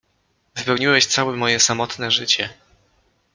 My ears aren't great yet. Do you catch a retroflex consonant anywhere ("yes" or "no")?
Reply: yes